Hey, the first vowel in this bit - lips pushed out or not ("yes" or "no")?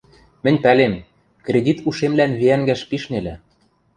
no